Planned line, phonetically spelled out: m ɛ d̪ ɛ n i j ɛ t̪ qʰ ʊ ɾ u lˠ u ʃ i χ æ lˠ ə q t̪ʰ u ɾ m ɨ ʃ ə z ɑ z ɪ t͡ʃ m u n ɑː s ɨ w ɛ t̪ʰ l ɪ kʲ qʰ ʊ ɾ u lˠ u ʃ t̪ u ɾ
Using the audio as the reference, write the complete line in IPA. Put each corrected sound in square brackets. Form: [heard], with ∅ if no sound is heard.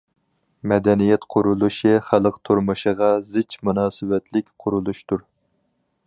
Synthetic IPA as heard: m ɛ d̪ ɛ n i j ɛ t̪ qʰ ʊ ɾ u lˠ u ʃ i χ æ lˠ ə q t̪ʰ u ɾ m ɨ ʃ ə [ʁ] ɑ z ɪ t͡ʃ m u n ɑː s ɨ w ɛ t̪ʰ l ɪ kʲ qʰ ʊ ɾ u lˠ u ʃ t̪ u ɾ